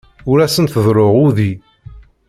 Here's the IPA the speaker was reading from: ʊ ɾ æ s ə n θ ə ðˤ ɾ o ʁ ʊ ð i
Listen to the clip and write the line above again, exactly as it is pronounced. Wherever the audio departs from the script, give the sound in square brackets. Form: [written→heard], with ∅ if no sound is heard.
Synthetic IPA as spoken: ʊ ɾ æ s ə n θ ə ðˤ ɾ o ʁ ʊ ð i